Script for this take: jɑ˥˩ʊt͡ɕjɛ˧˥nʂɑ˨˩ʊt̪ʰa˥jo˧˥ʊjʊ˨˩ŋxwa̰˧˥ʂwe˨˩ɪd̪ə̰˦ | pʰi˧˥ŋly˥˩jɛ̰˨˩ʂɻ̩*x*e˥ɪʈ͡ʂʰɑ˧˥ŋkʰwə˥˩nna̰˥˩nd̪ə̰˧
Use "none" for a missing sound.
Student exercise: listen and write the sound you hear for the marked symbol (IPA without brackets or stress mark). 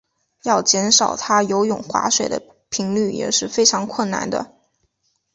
f